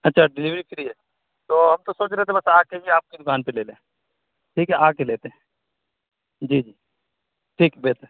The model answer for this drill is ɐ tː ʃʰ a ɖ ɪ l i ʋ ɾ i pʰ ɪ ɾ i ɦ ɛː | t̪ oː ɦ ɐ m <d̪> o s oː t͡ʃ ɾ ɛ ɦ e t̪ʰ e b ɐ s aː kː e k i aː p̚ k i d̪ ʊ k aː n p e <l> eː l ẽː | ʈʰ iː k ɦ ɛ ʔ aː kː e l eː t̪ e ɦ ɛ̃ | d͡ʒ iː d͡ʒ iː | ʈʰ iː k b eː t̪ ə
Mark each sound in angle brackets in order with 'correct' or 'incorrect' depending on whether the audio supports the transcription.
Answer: incorrect: t̪, correct

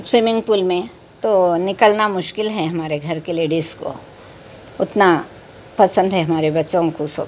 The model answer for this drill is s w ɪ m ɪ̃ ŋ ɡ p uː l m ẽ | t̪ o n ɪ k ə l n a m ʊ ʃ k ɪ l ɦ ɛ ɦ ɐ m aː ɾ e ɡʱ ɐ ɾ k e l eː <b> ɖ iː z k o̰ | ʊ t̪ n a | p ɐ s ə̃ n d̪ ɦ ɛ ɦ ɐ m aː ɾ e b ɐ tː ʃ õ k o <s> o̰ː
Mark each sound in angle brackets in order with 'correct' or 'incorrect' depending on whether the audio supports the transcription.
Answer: incorrect: none, correct

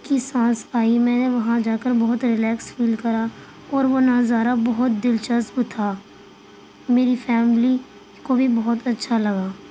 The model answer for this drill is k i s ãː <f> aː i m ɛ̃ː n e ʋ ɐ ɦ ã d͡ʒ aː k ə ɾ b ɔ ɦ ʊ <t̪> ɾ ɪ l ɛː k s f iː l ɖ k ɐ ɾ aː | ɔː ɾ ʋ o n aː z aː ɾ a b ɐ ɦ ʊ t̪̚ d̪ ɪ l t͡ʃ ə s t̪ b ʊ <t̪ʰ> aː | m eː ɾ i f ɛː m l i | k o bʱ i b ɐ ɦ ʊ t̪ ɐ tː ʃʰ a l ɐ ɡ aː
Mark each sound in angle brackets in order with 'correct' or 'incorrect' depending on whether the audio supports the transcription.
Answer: incorrect: s, correct, correct

